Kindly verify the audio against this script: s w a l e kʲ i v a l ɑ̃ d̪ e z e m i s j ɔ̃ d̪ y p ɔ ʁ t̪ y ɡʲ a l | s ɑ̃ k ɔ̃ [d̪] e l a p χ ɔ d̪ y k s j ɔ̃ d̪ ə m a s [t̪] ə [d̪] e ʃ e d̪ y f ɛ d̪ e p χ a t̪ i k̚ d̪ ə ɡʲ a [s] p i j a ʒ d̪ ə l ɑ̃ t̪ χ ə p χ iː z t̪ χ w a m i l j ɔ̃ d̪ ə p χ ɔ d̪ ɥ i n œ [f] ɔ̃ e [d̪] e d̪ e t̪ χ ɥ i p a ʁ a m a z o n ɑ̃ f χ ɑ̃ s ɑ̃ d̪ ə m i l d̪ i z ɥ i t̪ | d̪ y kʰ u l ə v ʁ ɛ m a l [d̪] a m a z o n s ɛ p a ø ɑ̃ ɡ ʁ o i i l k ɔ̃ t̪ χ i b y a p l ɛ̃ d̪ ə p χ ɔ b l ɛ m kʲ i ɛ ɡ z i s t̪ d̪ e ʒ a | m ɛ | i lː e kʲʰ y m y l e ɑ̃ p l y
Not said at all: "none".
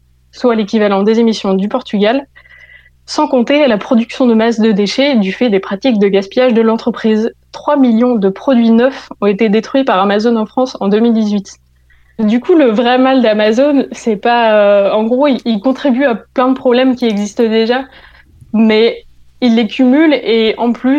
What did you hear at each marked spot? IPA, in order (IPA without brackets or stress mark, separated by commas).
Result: t̪, d̪, d̪, s, f, t̪, d̪